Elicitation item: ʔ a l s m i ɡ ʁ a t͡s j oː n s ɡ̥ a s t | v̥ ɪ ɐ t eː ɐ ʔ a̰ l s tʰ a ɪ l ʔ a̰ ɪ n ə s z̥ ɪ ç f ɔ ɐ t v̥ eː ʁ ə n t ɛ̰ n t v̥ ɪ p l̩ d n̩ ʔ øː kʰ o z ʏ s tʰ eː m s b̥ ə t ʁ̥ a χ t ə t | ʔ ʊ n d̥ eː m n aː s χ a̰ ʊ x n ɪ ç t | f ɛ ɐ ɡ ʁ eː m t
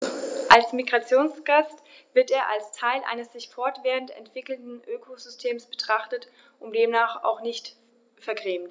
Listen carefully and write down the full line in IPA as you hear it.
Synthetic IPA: ʔ a l s m i ɡ ʁ a t͡s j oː n s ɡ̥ a s t | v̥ ɪ ɐ t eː ɐ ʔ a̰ l s tʰ a ɪ l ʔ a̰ ɪ n ə s z̥ ɪ ç f ɔ ɐ t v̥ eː ʁ ə n t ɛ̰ n t v̥ ɪ k l̩ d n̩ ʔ øː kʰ o z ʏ s tʰ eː m s b̥ ə t ʁ̥ a χ t ə t | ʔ ʊ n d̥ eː m n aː χ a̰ ʊ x n ɪ ç t | f ɛ ɐ ɡ ʁ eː m t